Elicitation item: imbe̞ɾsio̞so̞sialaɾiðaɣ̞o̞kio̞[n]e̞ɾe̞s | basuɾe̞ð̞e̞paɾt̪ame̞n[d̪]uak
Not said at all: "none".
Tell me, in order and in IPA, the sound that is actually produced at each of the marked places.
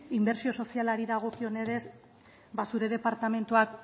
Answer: n, t̪

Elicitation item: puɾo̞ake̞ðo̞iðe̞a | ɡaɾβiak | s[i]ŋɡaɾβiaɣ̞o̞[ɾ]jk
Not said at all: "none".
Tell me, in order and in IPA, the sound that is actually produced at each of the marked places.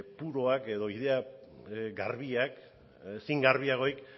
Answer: i, none

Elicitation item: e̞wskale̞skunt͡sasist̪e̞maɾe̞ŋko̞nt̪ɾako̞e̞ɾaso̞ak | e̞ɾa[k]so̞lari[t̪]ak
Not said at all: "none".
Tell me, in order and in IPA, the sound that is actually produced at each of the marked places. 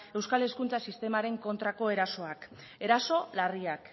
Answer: none, none

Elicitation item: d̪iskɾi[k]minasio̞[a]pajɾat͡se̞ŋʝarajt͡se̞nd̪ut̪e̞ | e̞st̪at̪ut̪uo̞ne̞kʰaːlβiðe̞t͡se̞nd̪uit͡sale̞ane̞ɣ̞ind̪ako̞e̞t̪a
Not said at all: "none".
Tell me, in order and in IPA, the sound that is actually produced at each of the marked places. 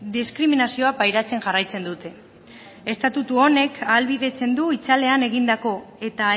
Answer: none, a

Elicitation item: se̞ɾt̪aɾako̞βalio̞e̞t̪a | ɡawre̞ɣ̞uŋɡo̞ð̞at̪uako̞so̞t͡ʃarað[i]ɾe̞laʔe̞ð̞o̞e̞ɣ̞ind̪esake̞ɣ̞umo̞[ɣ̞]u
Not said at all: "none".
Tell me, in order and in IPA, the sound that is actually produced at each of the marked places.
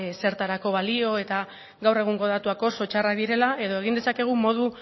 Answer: i, ð̞

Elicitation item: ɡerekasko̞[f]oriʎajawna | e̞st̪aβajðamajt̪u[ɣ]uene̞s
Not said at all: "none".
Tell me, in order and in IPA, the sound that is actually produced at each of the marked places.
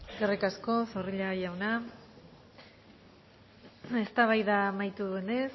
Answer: s, ð

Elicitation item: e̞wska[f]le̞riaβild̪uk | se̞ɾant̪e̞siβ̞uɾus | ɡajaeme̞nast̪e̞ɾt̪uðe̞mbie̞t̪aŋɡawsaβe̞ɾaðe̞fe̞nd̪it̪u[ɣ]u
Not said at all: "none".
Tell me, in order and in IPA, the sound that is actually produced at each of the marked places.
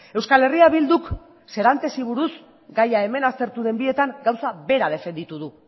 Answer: none, ð

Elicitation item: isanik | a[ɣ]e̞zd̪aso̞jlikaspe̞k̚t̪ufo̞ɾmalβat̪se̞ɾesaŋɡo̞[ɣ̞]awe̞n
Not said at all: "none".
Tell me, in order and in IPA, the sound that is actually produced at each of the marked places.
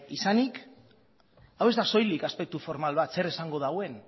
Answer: w, ð̞

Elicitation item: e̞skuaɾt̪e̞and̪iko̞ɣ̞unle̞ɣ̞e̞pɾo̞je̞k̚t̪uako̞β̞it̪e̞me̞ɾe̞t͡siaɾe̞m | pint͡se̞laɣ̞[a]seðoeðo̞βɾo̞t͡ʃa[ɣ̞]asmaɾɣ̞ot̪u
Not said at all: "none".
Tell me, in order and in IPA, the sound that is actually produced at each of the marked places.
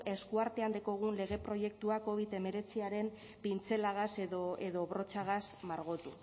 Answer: a, ɣ̞

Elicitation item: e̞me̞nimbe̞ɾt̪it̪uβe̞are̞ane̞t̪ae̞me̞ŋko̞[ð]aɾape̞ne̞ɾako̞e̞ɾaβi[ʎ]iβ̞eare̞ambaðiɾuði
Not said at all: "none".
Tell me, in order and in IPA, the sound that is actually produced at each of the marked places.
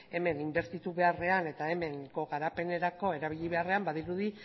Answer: ɣ, ʎ

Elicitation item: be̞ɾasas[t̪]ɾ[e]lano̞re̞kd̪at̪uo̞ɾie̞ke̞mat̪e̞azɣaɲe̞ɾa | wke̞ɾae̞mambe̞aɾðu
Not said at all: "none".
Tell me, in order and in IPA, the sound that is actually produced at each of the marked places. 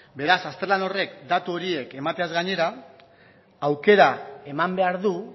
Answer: t̪, e

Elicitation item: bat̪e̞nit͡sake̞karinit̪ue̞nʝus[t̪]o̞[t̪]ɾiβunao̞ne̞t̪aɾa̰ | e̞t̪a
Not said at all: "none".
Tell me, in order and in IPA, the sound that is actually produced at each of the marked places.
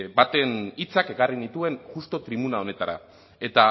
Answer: t̪, t̪

